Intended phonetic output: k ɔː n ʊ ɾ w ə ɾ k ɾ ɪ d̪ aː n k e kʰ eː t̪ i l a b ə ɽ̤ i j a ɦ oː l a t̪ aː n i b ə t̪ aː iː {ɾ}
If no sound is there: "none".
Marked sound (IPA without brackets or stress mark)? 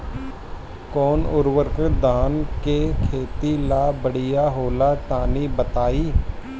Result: none